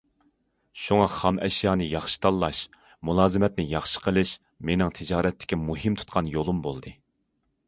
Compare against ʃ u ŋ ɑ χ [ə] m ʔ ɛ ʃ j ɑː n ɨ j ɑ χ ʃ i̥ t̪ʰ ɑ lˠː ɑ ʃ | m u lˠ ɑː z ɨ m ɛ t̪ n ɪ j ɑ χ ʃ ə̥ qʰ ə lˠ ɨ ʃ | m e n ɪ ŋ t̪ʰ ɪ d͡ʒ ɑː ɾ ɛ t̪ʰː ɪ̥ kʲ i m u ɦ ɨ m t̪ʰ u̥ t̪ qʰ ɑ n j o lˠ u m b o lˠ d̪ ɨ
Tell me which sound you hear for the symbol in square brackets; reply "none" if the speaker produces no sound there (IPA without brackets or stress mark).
ɑ